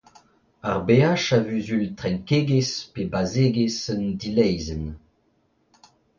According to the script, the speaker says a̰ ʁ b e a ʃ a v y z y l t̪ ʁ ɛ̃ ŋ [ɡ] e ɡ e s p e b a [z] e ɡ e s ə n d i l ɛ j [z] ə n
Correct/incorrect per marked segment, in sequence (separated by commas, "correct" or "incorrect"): incorrect, correct, correct